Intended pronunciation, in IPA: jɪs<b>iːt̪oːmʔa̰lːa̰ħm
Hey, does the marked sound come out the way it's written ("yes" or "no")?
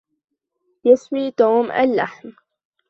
no